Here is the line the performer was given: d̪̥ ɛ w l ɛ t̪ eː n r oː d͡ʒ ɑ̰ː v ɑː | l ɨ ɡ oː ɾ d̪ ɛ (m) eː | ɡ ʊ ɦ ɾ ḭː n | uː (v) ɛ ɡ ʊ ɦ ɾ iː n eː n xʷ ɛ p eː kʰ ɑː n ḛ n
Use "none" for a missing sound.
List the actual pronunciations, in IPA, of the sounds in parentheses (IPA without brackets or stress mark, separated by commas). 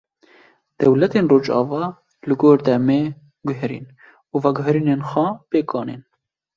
m, v